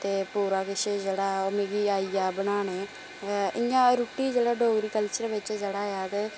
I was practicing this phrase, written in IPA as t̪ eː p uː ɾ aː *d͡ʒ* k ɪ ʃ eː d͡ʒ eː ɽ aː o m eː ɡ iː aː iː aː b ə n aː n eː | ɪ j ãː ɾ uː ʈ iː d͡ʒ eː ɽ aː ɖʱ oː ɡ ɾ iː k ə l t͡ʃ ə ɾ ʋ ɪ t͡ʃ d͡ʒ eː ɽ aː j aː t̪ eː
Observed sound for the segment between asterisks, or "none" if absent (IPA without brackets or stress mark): none